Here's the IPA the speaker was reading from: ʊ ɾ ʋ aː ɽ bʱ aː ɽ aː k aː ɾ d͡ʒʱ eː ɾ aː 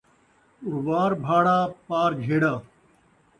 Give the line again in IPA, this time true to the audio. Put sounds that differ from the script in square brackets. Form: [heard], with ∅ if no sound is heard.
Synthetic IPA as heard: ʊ ɾ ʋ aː [ɾ] bʱ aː ɽ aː [p] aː ɾ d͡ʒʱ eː [ɽ] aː